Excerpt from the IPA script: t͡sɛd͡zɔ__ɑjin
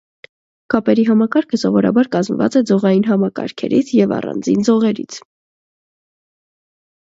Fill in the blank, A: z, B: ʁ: B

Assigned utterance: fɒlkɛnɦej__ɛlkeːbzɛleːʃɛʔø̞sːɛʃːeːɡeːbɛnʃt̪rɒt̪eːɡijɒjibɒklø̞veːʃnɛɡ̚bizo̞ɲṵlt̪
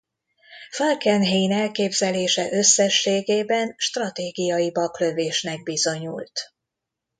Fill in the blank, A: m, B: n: B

